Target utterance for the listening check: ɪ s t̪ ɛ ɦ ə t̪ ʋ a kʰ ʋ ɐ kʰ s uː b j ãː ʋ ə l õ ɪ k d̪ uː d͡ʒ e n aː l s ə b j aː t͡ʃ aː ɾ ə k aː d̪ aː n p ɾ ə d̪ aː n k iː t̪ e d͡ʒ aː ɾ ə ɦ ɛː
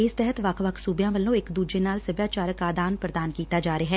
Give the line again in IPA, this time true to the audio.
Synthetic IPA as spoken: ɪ s t̪ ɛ ɦ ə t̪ ʋ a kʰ ʋ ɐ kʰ s uː b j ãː ʋ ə l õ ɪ k d̪ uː d͡ʒ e n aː l s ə b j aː t͡ʃ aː ɾ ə k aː d̪ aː n p ɾ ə d̪ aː n k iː t̪ a d͡ʒ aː ɾ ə ɦ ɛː